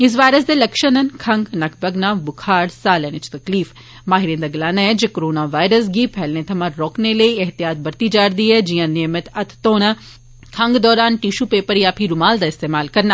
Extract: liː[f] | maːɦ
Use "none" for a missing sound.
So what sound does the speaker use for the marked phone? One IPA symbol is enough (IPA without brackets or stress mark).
f